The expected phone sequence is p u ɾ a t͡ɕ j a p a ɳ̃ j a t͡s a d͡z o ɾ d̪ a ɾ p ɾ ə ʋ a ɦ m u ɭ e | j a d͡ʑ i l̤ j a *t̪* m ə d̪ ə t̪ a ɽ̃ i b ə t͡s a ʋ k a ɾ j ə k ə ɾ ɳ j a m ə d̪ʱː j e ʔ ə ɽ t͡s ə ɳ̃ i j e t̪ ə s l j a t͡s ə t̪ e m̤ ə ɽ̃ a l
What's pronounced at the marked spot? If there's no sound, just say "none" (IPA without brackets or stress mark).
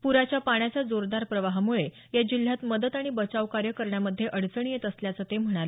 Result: t̪